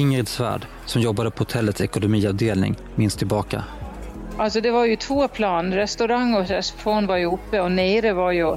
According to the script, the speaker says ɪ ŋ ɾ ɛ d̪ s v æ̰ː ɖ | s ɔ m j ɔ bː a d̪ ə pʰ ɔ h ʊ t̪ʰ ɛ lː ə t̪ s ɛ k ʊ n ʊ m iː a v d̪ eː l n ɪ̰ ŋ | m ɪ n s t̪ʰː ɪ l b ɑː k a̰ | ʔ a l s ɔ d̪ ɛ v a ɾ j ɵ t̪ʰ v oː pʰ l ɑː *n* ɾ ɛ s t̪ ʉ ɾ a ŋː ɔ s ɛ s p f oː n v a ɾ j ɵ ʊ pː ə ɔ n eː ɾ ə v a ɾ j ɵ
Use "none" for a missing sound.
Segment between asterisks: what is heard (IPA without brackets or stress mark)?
n